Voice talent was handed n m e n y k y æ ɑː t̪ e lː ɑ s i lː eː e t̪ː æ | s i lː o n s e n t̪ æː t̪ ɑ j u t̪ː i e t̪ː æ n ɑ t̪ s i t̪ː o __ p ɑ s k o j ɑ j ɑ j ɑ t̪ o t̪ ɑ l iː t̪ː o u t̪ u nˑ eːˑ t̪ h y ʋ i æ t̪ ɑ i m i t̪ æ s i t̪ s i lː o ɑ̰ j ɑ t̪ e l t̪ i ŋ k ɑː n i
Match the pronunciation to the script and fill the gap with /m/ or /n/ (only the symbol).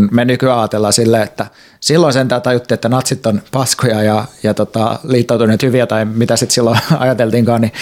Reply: n